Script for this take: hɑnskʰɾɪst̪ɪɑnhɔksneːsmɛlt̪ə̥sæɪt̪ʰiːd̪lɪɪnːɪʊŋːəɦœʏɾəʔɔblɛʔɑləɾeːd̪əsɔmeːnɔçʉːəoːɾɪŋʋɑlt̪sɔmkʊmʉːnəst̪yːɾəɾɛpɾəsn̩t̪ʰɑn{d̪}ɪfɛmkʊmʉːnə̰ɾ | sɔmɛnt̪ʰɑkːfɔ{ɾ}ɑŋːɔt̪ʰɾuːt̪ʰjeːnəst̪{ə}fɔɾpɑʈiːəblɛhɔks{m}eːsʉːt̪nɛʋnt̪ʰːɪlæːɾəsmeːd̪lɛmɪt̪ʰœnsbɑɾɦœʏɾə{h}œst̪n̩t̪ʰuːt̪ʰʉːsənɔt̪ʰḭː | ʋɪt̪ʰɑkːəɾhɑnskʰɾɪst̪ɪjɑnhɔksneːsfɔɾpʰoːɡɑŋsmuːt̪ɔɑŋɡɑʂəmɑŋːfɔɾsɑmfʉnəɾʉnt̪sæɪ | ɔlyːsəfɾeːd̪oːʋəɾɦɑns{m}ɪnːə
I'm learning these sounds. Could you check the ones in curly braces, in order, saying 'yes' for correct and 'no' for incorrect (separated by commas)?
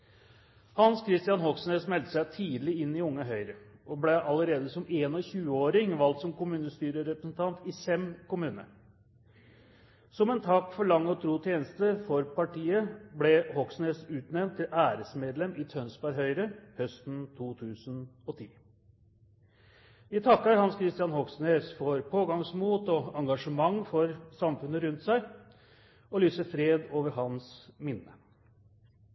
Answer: no, no, yes, no, yes, yes